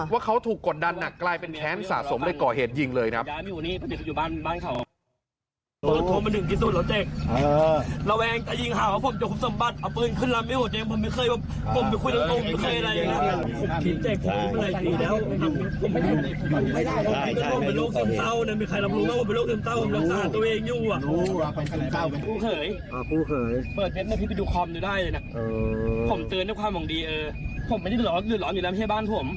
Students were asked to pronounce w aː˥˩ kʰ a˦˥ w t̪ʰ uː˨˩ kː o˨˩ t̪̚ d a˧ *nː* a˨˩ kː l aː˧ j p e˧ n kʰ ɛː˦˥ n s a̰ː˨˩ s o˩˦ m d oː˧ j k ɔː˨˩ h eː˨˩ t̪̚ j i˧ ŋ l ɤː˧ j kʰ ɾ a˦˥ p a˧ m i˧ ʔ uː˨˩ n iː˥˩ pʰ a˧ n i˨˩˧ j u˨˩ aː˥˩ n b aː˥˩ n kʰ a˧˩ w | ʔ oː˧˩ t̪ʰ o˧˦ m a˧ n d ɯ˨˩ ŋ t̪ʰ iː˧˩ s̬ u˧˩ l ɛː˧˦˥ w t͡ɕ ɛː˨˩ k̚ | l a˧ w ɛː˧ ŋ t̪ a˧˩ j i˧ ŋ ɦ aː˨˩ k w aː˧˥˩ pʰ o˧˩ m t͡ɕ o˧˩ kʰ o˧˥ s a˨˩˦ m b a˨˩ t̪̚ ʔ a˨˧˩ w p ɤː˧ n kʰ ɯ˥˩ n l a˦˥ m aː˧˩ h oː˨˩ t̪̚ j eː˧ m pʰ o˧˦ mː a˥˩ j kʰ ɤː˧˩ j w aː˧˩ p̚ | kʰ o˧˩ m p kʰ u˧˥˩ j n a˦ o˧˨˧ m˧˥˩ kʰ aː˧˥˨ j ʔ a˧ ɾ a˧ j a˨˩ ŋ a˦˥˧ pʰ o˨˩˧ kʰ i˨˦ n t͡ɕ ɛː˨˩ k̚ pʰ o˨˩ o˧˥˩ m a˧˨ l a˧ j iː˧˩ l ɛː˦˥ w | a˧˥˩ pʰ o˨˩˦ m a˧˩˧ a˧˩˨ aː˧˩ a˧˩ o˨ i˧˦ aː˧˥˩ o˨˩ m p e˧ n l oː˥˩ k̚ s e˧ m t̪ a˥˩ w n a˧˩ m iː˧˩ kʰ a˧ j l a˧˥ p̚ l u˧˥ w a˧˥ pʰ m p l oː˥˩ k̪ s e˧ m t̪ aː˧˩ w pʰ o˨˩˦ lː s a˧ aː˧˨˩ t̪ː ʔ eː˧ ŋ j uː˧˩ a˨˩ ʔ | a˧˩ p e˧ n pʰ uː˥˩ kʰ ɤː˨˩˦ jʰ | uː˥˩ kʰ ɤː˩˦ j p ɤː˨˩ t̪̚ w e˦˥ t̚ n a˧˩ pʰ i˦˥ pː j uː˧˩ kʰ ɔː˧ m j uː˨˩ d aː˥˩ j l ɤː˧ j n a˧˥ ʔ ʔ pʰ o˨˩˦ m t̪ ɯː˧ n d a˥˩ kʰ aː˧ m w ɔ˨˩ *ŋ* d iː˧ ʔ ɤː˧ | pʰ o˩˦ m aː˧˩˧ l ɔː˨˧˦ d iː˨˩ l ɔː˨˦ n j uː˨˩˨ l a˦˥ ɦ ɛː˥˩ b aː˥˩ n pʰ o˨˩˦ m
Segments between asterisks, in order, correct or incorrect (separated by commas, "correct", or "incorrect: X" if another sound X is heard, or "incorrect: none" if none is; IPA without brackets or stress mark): correct, correct